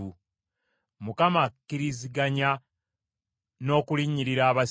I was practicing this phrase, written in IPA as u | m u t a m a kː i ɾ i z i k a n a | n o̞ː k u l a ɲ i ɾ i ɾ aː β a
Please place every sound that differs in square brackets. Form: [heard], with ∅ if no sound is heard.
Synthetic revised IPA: u | m u [k] a m a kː i ɾ i z i [ɡ] a [ɲ] a | n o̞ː k u l [i] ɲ i ɾ i ɾ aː β a